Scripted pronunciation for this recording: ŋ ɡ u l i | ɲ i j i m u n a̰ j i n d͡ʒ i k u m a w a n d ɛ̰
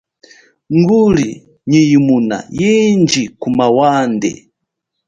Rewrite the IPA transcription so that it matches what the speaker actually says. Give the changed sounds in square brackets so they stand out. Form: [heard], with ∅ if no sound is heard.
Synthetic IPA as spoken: ŋ ɡ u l i | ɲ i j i m u n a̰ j i n d͡ʒ i k u m a w a n d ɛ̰